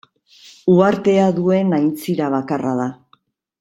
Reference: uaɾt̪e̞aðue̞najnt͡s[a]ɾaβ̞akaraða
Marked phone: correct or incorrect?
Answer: incorrect